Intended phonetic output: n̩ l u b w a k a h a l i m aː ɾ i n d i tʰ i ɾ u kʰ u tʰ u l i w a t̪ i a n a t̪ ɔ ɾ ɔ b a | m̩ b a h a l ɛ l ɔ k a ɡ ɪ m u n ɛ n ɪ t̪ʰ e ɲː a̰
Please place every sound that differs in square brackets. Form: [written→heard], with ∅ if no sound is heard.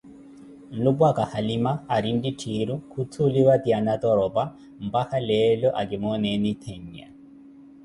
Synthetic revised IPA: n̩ l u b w a k a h a l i m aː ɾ i n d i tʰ i ɾ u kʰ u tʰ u l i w a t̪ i a n a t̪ ɔ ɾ ɔ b a | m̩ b a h a l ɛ l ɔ [k→ʔ] a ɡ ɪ m [u→ɔ] n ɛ n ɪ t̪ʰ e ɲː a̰